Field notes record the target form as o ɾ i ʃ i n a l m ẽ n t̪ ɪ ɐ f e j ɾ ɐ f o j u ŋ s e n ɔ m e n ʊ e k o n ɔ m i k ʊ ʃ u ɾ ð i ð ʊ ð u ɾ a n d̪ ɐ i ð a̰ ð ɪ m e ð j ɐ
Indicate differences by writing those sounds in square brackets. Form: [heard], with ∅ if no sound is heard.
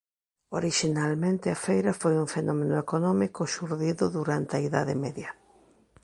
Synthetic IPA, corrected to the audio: o ɾ i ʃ i n a l m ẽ n t̪ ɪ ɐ f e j ɾ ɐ f o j u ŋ [f] e n ɔ m e n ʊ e k o n ɔ m i k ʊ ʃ u ɾ ð i ð ʊ ð u ɾ a n [t̪] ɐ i ð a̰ ð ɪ m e ð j ɐ